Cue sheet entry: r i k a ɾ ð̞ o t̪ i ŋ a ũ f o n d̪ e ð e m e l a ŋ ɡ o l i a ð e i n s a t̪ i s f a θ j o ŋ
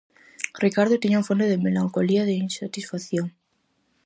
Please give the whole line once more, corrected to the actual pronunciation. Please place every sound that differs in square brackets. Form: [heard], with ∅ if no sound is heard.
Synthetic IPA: r i k a ɾ ð̞ o t̪ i [ɲ] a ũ f o n d̪ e ð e m e l a ŋ [k] o l i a ð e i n s a t̪ i s f a θ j o ŋ